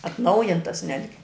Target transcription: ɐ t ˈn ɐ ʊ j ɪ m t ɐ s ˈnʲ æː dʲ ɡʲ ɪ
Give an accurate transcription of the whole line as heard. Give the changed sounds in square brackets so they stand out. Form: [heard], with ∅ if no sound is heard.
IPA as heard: ɐ t ˈn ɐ ʊ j ɪ [n] t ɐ s ˈnʲ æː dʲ ɡʲ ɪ